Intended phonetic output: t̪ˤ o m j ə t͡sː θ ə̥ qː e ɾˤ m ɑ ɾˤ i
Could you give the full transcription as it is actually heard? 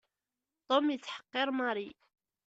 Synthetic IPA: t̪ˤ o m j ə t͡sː ħ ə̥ qː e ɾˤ m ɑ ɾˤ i